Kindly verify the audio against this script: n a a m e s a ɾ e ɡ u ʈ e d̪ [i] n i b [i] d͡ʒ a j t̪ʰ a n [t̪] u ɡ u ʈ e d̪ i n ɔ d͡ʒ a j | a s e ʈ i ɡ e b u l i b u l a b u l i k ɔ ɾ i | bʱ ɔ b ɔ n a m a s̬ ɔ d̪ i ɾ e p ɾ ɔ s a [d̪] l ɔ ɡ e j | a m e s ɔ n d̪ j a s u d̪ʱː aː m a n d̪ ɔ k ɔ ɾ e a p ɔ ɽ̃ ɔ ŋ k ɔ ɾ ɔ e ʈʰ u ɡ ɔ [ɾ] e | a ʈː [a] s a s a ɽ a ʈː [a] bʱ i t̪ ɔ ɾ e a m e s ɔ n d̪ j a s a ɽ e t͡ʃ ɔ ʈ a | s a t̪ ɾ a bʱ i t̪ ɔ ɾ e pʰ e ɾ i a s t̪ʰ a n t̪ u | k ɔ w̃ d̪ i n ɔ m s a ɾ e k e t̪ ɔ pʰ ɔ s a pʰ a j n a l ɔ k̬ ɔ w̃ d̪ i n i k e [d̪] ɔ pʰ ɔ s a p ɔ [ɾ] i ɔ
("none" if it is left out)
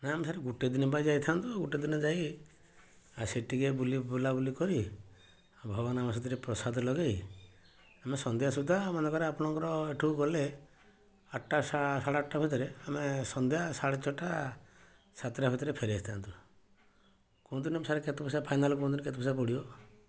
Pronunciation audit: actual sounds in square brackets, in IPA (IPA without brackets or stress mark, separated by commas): i, a, t̪, d̪, l, a, a, t̪, ɽ